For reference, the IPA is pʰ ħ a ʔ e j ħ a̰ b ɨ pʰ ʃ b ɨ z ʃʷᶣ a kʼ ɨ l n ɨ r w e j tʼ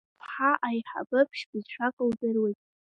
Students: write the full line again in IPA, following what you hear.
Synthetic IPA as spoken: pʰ ħ a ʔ a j ħ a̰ b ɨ pʰ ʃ b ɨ z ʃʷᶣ a kʼ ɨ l d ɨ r w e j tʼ